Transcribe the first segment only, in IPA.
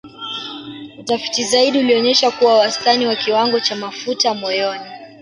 u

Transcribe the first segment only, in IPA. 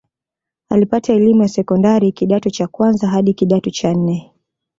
a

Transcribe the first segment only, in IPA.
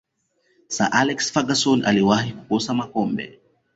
s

